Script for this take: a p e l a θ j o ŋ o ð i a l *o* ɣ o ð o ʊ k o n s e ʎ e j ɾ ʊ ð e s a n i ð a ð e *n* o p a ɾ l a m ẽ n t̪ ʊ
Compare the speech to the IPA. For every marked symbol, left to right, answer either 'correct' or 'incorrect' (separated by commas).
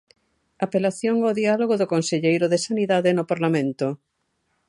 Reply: correct, correct